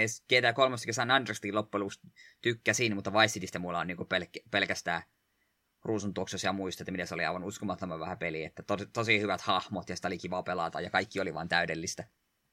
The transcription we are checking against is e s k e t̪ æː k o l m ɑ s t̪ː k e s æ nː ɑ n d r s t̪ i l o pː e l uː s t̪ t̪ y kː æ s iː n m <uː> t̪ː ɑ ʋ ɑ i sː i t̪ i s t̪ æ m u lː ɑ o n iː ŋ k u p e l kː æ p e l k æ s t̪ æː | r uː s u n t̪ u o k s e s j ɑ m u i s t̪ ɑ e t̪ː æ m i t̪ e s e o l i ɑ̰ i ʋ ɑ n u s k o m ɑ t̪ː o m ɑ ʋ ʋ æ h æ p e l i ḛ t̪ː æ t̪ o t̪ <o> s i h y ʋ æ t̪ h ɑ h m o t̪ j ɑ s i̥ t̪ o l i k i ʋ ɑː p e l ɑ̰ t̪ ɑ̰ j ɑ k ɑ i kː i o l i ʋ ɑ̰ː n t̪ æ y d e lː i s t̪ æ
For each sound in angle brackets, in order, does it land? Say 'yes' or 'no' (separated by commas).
no, yes